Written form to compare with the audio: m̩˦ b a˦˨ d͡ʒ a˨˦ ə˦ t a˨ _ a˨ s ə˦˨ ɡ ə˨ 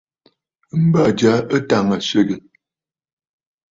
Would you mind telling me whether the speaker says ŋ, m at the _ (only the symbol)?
ŋ